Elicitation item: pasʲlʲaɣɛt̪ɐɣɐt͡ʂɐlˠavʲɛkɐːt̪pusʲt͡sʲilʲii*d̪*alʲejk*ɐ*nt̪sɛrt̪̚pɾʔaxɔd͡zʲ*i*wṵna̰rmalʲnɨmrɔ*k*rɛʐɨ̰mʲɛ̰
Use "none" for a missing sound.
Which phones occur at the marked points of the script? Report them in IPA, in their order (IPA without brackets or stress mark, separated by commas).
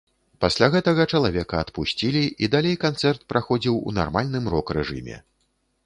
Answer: d̪, a, i, k